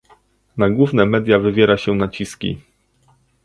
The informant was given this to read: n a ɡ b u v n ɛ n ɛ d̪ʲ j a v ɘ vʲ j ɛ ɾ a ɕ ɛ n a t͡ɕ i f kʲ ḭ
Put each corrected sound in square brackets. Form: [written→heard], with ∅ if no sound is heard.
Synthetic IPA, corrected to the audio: n a ɡ [b→w] u v n ɛ [n→m] ɛ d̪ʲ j a v ɘ vʲ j ɛ ɾ a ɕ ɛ n a t͡ɕ i [f→s] kʲ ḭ